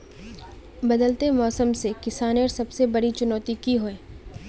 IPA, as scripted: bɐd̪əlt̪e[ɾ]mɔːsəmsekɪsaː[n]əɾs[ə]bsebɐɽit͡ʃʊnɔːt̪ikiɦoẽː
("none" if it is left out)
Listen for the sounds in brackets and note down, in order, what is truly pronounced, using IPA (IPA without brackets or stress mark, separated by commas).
none, n, ɐ